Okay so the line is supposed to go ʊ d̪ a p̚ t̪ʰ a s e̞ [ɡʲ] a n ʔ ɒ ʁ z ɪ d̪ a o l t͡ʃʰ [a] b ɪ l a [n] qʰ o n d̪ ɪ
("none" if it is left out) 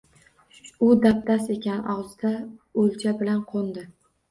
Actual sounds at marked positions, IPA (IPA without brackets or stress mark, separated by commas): kʲ, a, n